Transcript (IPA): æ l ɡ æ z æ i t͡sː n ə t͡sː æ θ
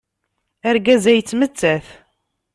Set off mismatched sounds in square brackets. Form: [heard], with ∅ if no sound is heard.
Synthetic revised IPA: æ [ɾ] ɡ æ z æ [j] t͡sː [m] ə t͡sː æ θ